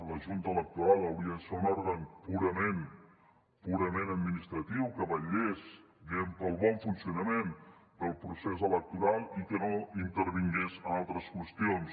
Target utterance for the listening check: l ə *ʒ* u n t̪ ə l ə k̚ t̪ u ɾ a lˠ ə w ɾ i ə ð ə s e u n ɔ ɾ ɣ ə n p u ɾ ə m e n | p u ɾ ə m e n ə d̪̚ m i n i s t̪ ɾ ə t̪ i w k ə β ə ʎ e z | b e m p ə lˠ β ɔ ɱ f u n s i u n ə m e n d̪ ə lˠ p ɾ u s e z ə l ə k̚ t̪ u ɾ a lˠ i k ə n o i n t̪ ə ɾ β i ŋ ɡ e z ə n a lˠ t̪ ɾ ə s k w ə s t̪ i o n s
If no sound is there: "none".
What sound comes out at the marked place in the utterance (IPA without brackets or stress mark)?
ʒ